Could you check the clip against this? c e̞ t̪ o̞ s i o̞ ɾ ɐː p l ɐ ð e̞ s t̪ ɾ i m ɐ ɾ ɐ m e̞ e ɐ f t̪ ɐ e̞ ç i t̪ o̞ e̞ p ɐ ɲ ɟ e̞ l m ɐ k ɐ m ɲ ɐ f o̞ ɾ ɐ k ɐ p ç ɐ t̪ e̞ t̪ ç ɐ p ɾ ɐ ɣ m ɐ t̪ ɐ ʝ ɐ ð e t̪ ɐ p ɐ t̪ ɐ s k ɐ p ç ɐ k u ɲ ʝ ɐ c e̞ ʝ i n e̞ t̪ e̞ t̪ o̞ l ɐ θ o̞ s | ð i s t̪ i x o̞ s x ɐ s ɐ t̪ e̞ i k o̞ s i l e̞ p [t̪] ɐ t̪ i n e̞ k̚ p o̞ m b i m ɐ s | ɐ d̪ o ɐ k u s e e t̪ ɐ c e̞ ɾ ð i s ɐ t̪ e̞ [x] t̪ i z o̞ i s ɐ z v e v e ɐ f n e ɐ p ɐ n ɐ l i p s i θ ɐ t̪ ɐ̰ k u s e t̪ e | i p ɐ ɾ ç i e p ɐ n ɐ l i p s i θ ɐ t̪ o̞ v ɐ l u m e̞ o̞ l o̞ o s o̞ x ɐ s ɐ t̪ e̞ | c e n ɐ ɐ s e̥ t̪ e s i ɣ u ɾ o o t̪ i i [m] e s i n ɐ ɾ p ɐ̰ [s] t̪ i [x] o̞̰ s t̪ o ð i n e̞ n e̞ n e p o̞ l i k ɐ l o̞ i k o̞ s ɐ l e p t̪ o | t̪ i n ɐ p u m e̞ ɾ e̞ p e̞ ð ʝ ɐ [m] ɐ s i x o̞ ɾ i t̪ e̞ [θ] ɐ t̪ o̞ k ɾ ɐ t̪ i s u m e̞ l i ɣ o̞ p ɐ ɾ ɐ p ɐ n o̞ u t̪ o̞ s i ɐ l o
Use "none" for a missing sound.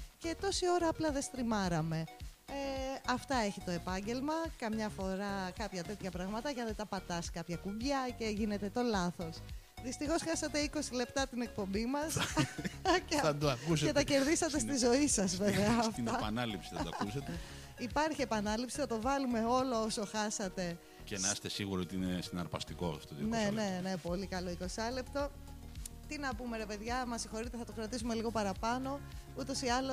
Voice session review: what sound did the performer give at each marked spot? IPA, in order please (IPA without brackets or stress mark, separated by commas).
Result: t̪, s, n, s, k, m, θ